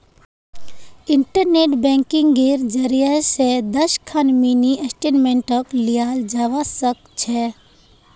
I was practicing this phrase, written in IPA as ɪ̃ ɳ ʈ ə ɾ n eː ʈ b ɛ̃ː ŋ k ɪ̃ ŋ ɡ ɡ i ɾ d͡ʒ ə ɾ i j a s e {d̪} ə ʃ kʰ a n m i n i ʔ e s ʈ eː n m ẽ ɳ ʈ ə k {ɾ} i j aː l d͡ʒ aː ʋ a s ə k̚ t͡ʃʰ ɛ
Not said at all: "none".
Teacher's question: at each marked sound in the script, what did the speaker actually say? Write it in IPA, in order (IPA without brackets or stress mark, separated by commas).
d̪, l